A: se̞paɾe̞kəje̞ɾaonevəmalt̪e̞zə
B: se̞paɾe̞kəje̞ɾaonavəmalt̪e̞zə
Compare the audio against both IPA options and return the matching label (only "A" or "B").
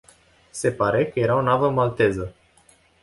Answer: B